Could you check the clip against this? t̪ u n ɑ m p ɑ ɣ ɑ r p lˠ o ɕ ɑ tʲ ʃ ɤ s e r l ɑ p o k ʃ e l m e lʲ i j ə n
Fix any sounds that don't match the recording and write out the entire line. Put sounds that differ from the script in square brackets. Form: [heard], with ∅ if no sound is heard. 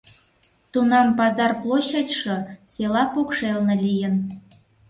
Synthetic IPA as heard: t̪ u n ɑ m p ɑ [z] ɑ r p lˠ o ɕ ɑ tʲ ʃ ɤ s e [∅] l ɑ p o k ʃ e l [n] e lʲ i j ə n